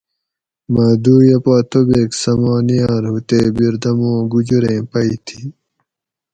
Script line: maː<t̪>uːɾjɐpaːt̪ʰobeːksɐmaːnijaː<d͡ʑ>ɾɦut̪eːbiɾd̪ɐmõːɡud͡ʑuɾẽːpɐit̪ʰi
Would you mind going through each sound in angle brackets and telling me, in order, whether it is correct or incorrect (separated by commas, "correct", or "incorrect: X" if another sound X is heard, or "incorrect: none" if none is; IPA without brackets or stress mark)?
incorrect: d̪, incorrect: none